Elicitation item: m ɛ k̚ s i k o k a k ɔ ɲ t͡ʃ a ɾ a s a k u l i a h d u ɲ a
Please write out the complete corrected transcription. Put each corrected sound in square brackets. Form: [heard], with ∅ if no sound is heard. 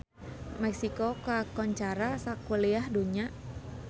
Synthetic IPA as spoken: m ɛ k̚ s i k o k a k ɔ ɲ t͡ʃ a ɾ a s a k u l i a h d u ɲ a